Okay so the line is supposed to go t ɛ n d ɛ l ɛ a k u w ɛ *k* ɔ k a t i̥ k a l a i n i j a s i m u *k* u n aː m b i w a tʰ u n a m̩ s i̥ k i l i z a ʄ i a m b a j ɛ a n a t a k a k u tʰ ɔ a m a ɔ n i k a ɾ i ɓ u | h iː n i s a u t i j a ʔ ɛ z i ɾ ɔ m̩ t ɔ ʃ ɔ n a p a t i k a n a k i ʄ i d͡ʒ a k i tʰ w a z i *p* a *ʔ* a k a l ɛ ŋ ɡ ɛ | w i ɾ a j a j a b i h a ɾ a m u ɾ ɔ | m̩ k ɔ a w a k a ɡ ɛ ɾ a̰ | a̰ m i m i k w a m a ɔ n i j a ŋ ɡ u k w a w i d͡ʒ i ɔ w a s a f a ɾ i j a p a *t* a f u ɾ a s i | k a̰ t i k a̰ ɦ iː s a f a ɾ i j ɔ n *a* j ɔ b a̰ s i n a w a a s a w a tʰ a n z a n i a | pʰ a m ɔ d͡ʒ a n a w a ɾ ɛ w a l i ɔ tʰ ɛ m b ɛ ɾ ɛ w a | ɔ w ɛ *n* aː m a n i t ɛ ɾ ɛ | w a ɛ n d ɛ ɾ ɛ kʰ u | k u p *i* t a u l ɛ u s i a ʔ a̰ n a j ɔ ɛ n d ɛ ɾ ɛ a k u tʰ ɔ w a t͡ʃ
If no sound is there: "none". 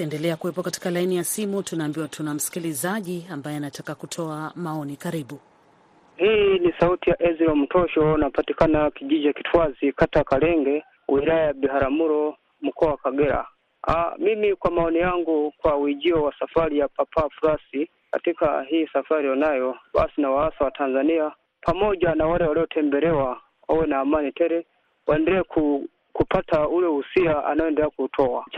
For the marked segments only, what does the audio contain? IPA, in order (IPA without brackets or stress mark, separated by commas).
p, t, k, t, p, a, n, a